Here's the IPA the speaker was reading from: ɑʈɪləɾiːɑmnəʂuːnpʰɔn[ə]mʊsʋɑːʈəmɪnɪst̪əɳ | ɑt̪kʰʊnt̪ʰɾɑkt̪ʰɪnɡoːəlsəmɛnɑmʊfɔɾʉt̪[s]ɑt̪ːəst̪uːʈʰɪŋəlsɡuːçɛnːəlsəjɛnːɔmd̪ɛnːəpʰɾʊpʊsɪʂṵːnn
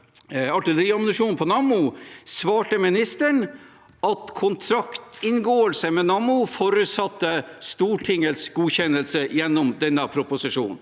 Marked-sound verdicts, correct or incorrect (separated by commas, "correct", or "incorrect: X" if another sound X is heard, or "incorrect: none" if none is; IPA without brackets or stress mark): incorrect: ɑ, correct